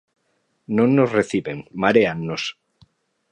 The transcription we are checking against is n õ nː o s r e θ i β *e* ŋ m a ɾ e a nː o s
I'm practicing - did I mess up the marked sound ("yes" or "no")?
no